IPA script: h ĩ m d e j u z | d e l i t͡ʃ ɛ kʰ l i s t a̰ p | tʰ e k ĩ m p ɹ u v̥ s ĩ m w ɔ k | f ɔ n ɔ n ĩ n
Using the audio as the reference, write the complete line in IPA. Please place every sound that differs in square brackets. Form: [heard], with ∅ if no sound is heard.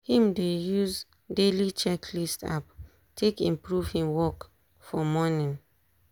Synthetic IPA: h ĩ m d e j u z | d e l i t͡ʃ ɛ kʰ l i s t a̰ p | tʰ e k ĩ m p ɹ u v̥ [h] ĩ m w ɔ k | f ɔ [m] ɔ n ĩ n